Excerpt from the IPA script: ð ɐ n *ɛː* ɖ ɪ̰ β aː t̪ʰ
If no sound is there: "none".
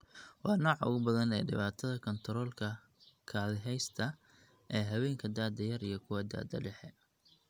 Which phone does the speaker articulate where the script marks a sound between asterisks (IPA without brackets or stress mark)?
ɛː